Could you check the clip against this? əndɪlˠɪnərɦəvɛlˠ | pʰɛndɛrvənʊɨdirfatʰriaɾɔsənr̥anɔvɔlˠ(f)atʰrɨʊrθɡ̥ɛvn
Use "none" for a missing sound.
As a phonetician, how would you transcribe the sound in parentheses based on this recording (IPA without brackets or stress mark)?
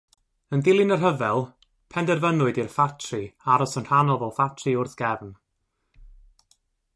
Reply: f